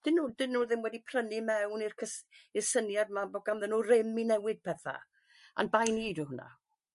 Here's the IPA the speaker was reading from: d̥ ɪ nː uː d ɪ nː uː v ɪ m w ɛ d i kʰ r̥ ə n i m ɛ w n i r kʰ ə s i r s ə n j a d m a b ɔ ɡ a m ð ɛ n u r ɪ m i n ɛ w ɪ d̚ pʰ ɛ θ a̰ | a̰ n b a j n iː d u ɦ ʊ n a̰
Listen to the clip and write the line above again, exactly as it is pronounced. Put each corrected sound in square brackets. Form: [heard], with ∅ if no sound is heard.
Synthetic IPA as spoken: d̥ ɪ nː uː d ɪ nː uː [ð] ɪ m w ɛ d i [pʰ] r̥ ə n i m ɛ w n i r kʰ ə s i r s ə n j a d m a b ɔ ɡ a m ð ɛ n u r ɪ m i n ɛ w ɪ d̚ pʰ ɛ θ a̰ | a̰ n b a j n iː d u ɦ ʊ n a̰